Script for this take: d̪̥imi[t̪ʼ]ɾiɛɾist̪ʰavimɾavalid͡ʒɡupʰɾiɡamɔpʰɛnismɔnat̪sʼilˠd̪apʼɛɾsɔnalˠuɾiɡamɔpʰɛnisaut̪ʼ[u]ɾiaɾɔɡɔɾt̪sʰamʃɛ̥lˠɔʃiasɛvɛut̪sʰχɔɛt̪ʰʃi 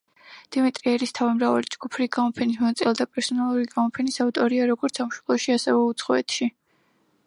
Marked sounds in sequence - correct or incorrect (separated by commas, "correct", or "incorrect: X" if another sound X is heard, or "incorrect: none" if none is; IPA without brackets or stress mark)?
correct, incorrect: ɔ